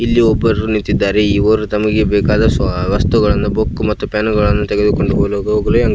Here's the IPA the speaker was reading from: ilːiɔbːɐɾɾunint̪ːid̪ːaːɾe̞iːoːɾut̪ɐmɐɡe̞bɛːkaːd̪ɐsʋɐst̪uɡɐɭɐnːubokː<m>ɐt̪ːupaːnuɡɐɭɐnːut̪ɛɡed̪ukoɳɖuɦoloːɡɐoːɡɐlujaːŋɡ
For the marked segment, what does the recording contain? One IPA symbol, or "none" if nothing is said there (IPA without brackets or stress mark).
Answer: m